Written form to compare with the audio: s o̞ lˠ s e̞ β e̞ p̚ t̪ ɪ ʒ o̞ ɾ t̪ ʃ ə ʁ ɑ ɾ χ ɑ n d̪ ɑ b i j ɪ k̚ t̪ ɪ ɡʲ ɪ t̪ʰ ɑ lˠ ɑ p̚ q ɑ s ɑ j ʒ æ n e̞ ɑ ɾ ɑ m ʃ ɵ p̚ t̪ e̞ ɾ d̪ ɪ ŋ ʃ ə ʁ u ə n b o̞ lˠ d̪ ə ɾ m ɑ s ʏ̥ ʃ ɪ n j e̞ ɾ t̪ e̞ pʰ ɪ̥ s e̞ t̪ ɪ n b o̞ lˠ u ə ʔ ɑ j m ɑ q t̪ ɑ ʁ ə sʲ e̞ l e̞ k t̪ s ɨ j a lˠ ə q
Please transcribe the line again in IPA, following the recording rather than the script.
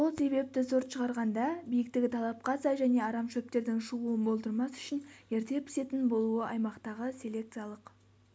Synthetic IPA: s o̞ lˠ s e̞ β e̞ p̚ t̪ ɪ z o̞ ɾ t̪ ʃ ə ʁ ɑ ɾ ʁ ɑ n d̪ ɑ b i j ɪ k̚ t̪ ɪ ɡʲ ɪ t̪ʰ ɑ lˠ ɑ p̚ q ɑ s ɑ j ʒ æ n e̞ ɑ ɾ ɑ m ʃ ɵ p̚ t̪ e̞ ɾ d̪ ɪ ŋ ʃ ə ʁ u ə n b o̞ lˠ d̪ ə ɾ m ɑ s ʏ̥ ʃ ɪ n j e̞ ɾ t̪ e̞ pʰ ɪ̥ s e̞ t̪ ɪ n b o̞ lˠ u ə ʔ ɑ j m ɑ q t̪ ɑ ʁ ə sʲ e̞ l e̞ k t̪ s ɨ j a lˠ ə q